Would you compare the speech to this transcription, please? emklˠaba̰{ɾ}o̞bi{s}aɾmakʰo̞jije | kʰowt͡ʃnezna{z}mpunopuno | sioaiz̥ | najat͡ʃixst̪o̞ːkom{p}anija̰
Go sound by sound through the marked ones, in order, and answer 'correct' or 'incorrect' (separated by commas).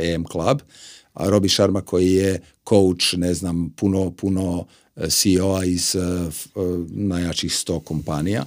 correct, incorrect, incorrect, correct